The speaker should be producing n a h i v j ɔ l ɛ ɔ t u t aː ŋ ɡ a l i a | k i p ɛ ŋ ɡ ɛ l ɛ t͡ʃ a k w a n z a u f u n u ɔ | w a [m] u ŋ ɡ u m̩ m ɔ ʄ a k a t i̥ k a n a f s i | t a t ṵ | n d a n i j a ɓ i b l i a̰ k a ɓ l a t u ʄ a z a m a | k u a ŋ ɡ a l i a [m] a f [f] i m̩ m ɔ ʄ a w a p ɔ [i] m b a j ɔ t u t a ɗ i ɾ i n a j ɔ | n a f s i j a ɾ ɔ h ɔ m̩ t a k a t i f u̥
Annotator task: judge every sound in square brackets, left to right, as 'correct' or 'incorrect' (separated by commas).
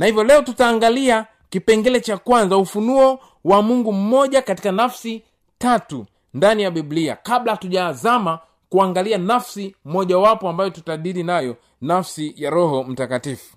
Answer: correct, incorrect, incorrect, incorrect